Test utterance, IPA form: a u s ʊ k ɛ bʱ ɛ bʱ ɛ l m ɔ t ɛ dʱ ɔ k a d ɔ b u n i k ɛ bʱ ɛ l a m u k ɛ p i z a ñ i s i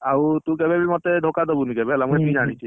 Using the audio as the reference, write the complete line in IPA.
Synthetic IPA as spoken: a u t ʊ k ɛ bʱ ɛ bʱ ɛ l m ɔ t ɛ dʱ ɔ k a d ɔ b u n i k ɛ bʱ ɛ l a m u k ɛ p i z a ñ i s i